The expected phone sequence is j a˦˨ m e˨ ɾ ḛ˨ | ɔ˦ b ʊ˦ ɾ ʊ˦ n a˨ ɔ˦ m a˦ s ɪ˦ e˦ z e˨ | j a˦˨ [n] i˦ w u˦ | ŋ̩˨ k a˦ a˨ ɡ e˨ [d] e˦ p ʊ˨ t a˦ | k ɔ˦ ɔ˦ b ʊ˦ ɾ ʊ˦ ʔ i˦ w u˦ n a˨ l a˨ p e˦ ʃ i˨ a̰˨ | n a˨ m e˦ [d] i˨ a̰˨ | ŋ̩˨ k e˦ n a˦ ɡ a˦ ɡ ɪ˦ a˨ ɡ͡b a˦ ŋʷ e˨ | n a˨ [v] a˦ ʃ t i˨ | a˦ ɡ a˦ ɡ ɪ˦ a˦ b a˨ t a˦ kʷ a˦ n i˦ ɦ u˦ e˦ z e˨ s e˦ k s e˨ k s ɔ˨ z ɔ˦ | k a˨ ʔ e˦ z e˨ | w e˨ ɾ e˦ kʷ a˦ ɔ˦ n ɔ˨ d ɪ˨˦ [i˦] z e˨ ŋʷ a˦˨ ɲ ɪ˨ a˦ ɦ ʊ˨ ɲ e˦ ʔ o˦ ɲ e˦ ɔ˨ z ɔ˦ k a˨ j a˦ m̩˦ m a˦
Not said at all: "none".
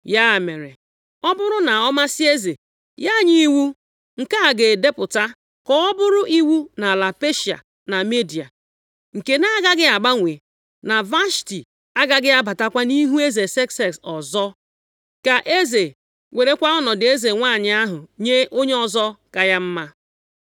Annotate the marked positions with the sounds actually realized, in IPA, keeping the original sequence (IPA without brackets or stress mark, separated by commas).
ɲ, d, d, v, e˦